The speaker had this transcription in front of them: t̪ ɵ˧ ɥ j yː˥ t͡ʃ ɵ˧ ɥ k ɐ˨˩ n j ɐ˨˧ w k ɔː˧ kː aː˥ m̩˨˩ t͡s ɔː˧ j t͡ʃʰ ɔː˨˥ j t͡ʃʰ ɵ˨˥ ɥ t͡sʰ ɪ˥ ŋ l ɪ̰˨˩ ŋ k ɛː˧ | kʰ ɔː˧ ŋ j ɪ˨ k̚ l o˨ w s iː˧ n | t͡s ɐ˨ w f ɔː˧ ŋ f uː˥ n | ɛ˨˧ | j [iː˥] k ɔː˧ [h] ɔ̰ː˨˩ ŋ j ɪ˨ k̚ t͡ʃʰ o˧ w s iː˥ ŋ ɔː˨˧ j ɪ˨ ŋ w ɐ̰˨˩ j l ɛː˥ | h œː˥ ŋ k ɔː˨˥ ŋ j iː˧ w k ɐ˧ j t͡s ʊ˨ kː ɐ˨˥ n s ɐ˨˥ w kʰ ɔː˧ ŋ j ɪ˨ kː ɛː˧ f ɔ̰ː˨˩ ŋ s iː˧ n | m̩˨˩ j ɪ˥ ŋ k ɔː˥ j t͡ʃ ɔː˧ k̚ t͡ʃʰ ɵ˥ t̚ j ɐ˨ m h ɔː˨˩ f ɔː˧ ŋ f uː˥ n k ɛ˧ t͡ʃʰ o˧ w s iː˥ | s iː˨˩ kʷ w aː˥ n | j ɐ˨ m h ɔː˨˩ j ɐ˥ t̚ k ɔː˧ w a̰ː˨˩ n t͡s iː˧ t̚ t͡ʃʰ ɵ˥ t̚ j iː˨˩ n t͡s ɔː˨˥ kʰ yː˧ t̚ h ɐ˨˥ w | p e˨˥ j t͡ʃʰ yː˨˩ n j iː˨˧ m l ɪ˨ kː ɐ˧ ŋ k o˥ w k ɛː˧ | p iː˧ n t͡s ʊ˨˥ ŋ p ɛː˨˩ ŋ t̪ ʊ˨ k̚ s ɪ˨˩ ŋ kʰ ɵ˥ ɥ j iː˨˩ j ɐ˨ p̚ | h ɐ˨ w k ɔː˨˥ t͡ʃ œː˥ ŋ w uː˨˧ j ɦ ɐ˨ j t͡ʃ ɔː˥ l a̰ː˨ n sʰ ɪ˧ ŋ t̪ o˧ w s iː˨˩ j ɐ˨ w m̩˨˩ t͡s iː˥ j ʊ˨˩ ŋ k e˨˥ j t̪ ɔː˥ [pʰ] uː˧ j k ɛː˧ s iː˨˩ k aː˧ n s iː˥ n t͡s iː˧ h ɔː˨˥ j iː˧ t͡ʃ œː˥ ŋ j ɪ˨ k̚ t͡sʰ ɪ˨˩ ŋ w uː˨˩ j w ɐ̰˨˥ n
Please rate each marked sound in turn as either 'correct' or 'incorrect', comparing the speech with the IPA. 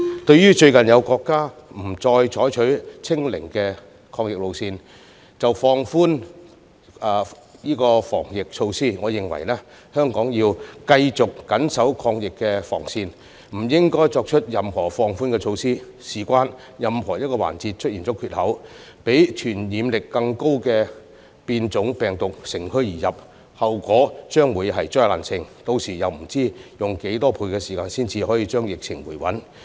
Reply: correct, incorrect, correct

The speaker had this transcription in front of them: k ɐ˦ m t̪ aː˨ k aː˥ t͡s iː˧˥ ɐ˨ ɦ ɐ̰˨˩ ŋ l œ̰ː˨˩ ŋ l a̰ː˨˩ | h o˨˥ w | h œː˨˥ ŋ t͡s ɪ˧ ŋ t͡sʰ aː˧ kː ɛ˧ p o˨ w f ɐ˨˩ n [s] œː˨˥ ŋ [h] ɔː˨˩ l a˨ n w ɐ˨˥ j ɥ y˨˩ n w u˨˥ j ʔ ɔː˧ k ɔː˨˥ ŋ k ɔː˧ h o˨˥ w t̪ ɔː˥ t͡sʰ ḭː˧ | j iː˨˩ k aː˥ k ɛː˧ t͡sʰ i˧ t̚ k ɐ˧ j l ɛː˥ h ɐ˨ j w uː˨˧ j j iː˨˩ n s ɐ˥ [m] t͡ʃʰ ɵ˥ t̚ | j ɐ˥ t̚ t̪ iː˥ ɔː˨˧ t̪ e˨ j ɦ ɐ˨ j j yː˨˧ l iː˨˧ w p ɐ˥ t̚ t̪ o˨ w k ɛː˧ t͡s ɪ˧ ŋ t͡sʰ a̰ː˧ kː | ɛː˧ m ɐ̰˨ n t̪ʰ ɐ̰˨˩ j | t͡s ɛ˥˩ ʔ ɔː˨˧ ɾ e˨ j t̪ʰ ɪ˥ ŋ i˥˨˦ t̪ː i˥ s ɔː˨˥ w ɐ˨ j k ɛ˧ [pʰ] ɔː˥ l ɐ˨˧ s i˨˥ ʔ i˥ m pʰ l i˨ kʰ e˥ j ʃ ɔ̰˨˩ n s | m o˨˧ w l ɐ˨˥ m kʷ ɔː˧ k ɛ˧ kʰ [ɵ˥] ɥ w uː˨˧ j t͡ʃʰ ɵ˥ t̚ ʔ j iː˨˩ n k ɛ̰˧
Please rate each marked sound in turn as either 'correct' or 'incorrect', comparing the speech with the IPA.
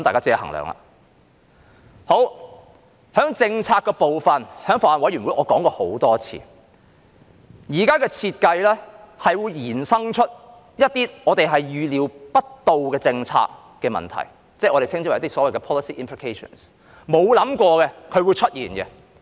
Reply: incorrect, incorrect, incorrect, correct, incorrect

